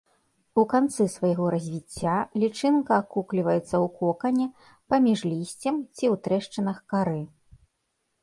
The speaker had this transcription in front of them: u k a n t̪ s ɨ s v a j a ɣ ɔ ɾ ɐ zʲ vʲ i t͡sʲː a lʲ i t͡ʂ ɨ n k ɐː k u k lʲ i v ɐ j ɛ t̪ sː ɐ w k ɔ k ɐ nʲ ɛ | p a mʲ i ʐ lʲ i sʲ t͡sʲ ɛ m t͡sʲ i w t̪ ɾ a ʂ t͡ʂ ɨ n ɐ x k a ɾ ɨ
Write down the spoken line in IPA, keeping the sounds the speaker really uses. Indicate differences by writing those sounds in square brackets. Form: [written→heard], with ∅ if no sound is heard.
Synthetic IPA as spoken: u k a n t̪ s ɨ s v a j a ɣ ɔ ɾ ɐ zʲ vʲ i t͡sʲː a lʲ i t͡ʂ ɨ n k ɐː k u k lʲ i v ɐ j ɛ t̪ sː ɐ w k ɔ k ɐ nʲ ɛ | p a mʲ i ʐ lʲ i sʲ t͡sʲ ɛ m t͡sʲ i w t̪ ɾ [a→ɛ] ʂ t͡ʂ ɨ n ɐ x k a ɾ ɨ